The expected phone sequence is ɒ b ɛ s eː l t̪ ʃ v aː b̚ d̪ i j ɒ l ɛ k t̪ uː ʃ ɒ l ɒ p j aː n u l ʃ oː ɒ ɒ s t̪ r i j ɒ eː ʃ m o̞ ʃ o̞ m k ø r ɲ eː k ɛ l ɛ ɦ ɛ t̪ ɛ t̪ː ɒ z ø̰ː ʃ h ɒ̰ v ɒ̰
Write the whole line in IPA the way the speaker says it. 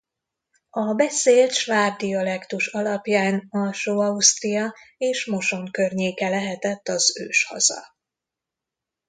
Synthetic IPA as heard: ɒ b ɛ s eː l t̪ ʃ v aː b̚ d̪ i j ɒ l ɛ k t̪ u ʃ ɒ l ɒ p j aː n ɒ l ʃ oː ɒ u s t̪ r i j ɒ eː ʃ m o̞ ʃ o̞ ŋ k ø r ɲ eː k ɛ l ɛ ɦ ɛ t̪ ɛ t̪ː ɒ z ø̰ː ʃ h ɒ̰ z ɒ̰